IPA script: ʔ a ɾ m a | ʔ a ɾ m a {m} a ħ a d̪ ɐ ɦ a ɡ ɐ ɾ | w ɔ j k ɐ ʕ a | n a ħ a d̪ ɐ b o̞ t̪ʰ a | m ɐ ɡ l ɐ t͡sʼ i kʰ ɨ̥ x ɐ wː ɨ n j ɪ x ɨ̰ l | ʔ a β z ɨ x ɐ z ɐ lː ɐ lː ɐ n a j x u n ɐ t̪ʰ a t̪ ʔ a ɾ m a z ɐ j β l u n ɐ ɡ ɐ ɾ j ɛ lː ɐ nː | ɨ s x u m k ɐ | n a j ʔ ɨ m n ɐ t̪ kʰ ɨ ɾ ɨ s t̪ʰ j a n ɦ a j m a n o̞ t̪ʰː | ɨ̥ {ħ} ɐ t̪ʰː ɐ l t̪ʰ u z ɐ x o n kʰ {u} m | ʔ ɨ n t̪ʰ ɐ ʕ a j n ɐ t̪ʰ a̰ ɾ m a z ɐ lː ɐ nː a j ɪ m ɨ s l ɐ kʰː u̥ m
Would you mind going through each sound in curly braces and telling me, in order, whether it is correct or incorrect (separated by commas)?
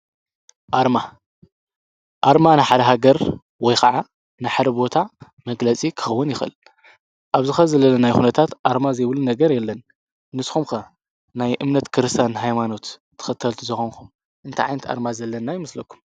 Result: incorrect, incorrect, correct